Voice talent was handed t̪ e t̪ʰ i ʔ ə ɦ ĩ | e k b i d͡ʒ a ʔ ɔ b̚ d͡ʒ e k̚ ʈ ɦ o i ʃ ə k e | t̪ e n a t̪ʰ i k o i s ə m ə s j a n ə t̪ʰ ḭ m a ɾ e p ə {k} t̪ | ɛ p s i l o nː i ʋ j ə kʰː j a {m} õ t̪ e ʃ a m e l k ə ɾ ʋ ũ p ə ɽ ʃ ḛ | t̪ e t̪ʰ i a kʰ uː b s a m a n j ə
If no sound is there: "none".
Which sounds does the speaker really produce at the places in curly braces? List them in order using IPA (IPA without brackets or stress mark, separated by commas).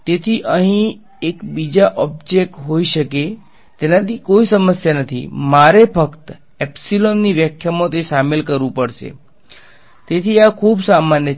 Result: k, m